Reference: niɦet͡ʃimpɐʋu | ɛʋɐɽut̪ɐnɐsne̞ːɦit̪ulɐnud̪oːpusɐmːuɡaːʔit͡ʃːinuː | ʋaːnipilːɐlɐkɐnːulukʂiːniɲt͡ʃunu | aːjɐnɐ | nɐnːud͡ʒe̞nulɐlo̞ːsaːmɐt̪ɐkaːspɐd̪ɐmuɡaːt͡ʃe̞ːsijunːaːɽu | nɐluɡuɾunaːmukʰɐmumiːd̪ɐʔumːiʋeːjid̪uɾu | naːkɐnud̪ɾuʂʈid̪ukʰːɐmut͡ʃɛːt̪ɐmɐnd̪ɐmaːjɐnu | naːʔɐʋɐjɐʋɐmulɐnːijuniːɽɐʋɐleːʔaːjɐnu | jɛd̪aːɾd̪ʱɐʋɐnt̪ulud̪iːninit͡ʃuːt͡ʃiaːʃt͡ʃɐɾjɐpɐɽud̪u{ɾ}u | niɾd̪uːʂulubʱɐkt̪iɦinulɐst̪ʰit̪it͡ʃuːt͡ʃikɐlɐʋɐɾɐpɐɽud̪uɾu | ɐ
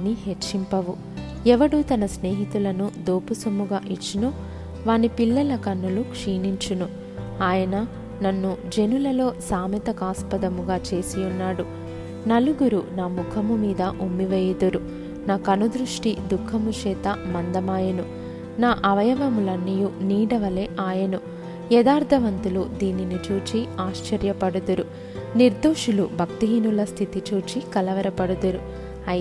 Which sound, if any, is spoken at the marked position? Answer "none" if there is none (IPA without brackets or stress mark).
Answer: ɾ